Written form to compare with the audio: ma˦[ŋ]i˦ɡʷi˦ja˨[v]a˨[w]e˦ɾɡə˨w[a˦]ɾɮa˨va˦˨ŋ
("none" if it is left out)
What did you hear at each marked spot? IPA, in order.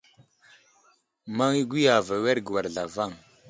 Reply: ŋ, v, w, a˨

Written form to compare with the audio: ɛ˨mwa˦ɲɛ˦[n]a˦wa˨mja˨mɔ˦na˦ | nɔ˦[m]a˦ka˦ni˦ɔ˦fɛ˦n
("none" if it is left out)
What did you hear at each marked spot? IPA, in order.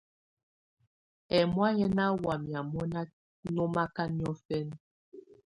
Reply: n, m

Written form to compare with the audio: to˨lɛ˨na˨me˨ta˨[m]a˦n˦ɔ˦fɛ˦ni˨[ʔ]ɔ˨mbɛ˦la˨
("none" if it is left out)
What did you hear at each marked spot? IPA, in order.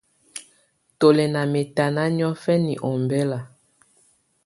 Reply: n, ʔ

